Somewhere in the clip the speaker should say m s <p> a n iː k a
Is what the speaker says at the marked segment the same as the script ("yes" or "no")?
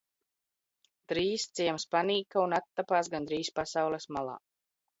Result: yes